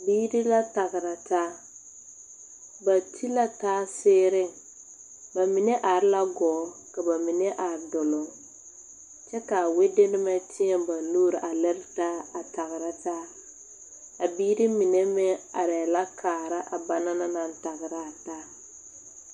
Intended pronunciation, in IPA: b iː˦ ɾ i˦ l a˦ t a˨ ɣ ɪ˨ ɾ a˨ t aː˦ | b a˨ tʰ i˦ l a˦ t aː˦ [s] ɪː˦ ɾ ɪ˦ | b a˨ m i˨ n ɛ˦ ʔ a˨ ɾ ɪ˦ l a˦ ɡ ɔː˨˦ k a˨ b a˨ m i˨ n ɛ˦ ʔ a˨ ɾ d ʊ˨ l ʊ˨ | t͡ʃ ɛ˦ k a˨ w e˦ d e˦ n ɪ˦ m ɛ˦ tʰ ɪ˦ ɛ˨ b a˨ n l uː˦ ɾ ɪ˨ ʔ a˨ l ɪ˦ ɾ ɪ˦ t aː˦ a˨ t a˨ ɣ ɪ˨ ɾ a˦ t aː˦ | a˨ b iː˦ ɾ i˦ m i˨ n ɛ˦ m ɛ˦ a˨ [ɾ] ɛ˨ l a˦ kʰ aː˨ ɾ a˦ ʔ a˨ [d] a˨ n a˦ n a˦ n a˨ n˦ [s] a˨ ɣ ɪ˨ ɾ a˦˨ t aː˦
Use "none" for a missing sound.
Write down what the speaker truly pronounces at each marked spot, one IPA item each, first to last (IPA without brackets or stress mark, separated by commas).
s, ɾ, b, t